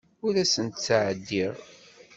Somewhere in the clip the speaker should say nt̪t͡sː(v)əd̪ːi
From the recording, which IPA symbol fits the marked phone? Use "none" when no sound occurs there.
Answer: ʕ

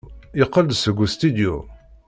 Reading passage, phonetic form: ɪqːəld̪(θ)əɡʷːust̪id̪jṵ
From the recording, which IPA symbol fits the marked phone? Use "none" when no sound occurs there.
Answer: s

